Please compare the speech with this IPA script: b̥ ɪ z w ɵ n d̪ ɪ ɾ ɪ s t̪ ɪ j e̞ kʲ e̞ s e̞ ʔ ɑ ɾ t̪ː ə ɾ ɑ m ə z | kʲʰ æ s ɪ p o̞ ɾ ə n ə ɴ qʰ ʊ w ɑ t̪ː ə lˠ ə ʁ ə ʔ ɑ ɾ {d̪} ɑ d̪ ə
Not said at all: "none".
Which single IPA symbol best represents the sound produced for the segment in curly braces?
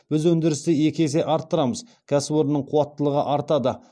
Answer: t̪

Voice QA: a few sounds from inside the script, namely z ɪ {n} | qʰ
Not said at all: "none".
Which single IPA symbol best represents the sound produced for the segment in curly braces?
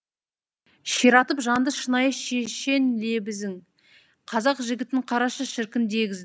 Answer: ŋ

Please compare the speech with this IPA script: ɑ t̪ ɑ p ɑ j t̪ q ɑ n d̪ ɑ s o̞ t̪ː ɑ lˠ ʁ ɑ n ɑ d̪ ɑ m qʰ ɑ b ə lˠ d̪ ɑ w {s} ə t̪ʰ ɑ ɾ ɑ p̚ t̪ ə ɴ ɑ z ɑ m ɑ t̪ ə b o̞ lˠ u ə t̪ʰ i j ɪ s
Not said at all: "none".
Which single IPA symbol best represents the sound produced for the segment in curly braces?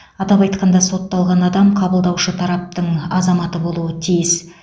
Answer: ʃ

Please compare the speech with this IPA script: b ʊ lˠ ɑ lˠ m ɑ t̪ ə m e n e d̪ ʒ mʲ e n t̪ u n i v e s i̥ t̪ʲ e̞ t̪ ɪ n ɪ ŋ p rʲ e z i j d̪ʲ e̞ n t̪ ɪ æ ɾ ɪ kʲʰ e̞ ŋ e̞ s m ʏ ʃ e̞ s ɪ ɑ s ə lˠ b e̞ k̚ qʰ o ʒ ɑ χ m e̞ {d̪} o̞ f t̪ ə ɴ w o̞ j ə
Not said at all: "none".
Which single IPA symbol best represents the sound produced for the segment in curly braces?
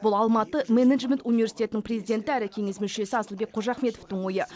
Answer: t̪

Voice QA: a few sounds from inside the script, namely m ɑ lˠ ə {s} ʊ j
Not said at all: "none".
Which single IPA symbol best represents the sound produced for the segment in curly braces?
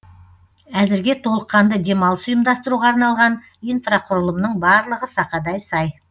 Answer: s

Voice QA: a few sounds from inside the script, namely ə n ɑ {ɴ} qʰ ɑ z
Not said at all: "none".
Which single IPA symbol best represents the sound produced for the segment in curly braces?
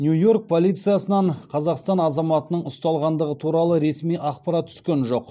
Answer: ɴ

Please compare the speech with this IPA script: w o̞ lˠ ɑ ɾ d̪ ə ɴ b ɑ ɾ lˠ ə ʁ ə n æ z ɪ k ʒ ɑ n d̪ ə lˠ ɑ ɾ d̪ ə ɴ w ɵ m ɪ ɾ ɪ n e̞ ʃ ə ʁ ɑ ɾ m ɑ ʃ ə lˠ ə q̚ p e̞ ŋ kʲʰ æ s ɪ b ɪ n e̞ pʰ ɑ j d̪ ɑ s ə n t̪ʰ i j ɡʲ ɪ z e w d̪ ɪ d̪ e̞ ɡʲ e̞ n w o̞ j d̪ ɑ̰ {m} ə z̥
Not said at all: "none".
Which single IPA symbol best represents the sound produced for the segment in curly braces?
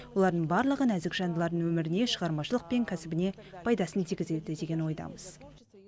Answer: m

